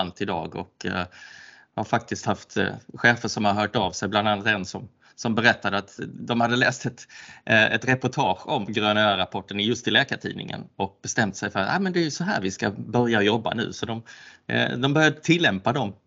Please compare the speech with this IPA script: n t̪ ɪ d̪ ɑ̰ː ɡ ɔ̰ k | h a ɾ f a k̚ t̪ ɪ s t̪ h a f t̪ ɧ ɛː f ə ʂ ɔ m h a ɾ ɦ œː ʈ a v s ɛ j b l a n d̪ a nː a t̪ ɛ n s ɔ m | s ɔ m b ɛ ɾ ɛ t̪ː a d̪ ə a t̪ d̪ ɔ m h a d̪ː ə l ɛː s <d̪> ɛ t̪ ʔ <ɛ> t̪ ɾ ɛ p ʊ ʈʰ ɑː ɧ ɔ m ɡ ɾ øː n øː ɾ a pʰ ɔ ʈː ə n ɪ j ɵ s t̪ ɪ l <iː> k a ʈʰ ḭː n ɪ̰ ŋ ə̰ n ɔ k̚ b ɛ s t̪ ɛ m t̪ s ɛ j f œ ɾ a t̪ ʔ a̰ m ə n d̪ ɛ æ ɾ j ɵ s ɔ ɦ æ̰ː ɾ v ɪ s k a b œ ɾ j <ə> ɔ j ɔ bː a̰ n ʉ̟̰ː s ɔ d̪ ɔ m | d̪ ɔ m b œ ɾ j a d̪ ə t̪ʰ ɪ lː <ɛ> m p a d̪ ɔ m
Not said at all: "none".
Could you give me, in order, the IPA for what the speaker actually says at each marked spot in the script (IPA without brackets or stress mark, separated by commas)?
t̪, ɛ, ɛː, a, ɛ